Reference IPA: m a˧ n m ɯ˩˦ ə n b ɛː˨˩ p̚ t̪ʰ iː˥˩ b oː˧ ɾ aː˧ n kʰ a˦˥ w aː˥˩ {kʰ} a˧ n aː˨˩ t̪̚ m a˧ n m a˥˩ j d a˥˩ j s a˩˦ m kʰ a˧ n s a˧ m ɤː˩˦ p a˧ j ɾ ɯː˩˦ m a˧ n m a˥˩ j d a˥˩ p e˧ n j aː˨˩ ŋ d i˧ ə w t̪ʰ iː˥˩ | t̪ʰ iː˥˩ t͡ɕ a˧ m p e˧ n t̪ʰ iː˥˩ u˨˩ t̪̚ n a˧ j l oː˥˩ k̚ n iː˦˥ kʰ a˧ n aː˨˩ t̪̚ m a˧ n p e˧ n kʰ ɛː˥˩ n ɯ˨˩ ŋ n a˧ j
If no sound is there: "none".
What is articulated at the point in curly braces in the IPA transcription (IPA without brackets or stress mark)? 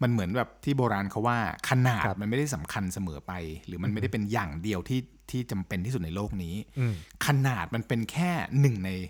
kʰ